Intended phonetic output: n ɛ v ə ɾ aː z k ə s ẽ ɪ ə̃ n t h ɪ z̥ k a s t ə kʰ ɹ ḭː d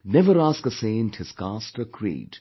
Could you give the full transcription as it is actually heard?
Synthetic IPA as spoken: n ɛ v ə ɾ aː s k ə s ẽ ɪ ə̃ n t h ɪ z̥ k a s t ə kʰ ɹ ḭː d

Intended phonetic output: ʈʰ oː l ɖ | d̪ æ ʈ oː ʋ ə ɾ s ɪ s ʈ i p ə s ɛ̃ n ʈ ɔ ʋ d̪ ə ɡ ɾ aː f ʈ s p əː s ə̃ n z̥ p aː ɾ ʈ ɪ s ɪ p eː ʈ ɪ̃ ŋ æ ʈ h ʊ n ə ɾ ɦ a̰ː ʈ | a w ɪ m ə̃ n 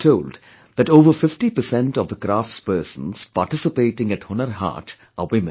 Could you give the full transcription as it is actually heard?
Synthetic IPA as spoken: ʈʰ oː l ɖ | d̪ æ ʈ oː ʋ ə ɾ f ɪ f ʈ i p ə s ɛ̃ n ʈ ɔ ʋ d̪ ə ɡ ɾ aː f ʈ s p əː s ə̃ n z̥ p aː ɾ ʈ ɪ s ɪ p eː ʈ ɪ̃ ŋ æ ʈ h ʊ n ə ɾ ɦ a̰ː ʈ | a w ɪ m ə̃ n

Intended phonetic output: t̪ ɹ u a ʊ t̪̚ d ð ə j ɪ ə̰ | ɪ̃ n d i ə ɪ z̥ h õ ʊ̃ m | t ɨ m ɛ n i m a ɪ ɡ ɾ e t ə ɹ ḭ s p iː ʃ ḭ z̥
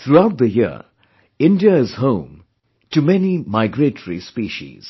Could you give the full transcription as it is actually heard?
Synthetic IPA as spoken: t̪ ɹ u a ʊ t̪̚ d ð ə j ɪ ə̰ | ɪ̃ n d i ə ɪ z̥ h õ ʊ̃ m | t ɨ m ɛ n i m a ɪ ɡ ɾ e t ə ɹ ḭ s p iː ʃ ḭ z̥

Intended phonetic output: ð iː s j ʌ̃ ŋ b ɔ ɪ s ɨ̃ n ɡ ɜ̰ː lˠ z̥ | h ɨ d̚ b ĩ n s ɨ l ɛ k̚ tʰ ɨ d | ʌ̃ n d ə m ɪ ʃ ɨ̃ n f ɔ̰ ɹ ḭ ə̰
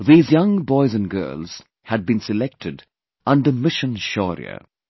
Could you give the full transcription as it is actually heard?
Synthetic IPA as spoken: ð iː z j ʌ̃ ŋ b ɔ ɪ z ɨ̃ n ɡ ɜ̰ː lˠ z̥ | h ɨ d̚ b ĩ n s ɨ l ɛ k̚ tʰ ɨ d | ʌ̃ n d ə m ɪ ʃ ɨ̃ n ʃ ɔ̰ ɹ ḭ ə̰

